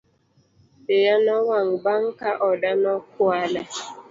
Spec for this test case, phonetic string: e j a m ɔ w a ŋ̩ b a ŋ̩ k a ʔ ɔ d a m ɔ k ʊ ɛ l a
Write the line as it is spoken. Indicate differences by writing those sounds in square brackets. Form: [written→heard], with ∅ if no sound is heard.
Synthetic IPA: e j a [m→n] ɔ w a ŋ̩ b a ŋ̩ k a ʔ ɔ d a [m→n] ɔ k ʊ [ɛ→a] l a